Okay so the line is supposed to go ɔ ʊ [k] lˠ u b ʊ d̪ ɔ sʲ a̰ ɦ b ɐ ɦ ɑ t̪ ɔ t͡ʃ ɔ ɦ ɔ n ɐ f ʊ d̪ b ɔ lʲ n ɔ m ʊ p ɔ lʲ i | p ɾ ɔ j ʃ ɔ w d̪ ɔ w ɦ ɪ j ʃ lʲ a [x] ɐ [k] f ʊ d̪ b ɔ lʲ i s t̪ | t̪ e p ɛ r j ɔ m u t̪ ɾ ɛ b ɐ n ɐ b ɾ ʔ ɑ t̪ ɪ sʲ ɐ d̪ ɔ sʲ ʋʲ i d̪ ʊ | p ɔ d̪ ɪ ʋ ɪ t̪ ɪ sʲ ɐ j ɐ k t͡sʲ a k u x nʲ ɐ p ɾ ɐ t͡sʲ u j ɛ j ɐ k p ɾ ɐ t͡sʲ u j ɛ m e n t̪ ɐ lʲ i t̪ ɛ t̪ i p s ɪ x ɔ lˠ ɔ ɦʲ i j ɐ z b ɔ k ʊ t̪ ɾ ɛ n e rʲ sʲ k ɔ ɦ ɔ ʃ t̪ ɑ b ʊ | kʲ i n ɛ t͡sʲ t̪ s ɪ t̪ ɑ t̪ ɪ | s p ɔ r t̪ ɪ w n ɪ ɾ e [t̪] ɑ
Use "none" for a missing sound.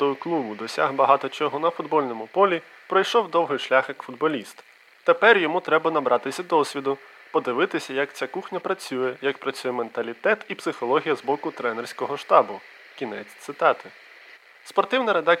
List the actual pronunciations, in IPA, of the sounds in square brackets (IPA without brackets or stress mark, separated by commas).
k, x, k, d̪